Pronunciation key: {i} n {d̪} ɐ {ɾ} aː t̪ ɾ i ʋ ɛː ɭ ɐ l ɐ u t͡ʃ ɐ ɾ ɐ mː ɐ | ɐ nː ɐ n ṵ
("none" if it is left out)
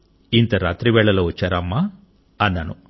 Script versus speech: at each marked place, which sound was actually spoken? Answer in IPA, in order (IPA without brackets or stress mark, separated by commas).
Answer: i, t̪, ɾ